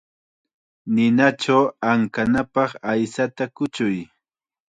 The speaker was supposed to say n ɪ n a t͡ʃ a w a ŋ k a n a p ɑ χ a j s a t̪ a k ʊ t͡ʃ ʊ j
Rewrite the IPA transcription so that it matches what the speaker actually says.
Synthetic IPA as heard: n ɪ n a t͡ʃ a w a ŋ k a n a p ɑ χ a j s a t̪ a k ʊ t͡ʃ ʊ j

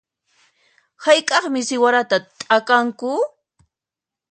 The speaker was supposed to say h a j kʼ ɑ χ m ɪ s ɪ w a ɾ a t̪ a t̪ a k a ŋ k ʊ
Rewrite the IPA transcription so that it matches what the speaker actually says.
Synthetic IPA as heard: h a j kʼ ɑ χ m ɪ s ɪ w a ɾ a t̪ a t̪ʼ a k a ŋ k ʊ

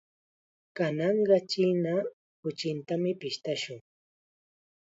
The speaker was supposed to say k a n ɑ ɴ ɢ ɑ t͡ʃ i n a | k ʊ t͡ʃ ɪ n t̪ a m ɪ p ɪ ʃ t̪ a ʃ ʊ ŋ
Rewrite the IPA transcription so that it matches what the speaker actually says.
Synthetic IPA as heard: k a n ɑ ɴ ɢ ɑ t͡ʃ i n a | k ʊ t͡ʃ ɪ n t̪ a m ɪ p ɪ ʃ t̪ a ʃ ʊ ŋ

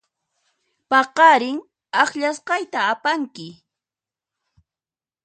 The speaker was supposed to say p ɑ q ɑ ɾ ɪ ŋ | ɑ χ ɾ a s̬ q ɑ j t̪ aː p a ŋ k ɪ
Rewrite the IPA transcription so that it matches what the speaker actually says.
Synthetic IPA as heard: p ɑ q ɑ ɾ ɪ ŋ | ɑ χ ʎ a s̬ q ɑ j t̪ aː p a ŋ k ɪ

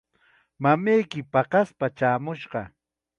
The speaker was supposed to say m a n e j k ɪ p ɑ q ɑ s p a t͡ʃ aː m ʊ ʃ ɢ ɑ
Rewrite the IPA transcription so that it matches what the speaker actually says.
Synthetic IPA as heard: m a m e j k ɪ p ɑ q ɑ s p a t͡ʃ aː m ʊ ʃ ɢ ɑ

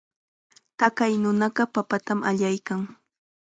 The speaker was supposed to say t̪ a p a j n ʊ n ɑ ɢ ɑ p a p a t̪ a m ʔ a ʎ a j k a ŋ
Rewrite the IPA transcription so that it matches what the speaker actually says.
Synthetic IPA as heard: t̪ a k a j n ʊ n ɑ ɢ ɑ p a p a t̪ a m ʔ a ʎ a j k a ŋ

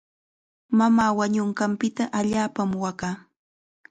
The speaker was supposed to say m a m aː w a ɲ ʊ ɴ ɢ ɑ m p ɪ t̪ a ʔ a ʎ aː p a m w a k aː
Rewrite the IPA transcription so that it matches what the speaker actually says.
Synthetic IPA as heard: m a m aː w a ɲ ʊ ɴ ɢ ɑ m p ɪ t̪ a ʔ a ʎ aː p a m w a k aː

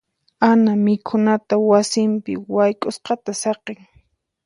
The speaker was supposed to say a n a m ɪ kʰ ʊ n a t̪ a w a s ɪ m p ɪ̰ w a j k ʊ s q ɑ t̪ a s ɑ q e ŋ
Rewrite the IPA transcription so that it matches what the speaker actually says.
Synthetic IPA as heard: a n a m ɪ kʰ ʊ n a t̪ a w a s ɪ m p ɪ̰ w a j kʼ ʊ s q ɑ t̪ a s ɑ q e ŋ

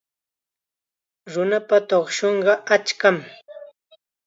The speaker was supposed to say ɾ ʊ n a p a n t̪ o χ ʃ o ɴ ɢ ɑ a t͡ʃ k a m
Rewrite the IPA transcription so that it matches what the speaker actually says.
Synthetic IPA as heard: ɾ ʊ n a p a t̪ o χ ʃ o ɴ ɢ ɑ a t͡ʃ k a m

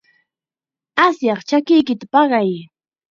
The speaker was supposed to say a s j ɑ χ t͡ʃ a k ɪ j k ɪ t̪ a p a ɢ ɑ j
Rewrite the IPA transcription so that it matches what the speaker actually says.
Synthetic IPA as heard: a s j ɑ χ t͡ʃ a k ɪ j k ɪ t̪ a p ɑ ɢ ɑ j

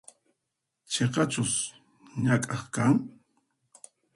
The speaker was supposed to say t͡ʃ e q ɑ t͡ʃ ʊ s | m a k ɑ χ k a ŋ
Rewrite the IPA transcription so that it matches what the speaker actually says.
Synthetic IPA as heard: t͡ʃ e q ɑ t͡ʃ ʊ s | ɲ a kʼ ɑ χ k a ŋ

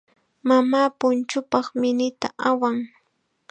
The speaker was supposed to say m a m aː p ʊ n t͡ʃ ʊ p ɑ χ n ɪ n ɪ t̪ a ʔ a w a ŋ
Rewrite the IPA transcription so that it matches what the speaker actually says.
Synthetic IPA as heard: m a m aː p ʊ n t͡ʃ ʊ p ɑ χ m ɪ n ɪ t̪ a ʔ a w a ŋ

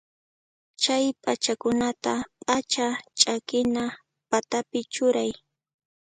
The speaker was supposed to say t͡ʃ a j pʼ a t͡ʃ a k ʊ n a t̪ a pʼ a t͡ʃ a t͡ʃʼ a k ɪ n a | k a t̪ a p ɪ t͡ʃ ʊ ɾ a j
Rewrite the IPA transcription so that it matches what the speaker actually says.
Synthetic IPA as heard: t͡ʃ a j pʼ a t͡ʃ a k ʊ n a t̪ a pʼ a t͡ʃ a t͡ʃʼ a k ɪ n a | p a t̪ a p ɪ t͡ʃ ʊ ɾ a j

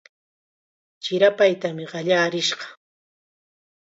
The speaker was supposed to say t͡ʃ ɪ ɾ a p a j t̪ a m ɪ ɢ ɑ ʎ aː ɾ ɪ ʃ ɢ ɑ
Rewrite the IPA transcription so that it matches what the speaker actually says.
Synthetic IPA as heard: t͡ʃ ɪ ɾ a p a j t̪ a m ɪ ɢ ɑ ʎ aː ɾ ɪ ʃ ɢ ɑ

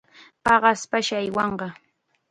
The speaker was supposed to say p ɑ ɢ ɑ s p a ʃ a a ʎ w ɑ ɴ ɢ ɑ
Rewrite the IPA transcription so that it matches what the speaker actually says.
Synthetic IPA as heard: p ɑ ɢ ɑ s p a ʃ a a j w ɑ ɴ ɢ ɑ

